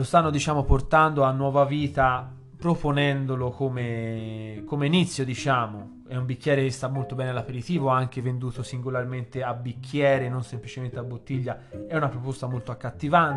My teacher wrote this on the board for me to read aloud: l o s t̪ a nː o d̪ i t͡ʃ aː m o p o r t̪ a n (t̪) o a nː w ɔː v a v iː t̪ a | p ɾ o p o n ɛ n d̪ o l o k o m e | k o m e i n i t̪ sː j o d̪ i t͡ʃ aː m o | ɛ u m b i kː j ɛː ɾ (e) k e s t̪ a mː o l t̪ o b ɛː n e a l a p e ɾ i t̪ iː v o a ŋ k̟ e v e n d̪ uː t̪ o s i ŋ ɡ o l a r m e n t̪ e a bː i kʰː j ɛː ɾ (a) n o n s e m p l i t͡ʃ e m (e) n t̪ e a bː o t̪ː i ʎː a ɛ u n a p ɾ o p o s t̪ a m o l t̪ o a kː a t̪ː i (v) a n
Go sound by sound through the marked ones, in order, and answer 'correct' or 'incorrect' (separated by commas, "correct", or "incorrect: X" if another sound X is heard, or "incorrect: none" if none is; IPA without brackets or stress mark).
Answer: incorrect: d̪, correct, incorrect: e, correct, correct